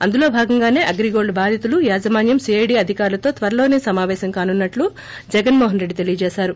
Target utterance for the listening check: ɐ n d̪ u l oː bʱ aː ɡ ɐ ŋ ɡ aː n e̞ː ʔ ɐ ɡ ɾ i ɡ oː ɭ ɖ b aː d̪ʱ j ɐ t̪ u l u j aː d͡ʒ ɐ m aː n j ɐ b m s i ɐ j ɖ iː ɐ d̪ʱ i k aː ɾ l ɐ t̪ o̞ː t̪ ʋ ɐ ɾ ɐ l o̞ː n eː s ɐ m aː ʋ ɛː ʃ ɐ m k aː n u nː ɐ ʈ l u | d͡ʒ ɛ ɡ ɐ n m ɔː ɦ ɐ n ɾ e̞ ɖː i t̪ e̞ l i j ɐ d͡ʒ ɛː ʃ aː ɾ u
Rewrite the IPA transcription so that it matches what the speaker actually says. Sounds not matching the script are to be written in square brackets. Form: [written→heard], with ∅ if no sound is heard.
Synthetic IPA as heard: ɐ n d̪ u l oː bʱ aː ɡ ɐ ŋ ɡ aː n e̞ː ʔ ɐ ɡ ɾ i ɡ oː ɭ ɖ b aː d̪ʱ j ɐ t̪ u l u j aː d͡ʒ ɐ m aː n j ɐ [b→∅] m s i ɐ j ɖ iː ɐ d̪ʱ i k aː ɾ l ɐ t̪ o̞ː t̪ ʋ ɐ ɾ ɐ l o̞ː n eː s ɐ m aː ʋ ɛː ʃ ɐ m k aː n u nː ɐ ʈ l u | d͡ʒ ɛ ɡ ɐ n m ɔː ɦ ɐ n ɾ e̞ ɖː i t̪ e̞ l i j ɐ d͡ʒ ɛː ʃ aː ɾ u